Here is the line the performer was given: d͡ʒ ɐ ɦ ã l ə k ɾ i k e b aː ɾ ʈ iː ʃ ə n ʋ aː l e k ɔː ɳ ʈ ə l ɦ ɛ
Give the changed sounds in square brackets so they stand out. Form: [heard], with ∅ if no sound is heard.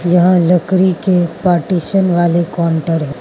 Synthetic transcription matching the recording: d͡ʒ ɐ ɦ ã l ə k ɾ i k e [p] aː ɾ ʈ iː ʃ ə n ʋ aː l e k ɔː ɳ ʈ ə [ɾ] ɦ ɛ